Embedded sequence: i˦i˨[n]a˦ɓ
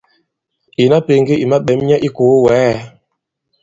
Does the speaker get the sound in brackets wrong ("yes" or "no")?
yes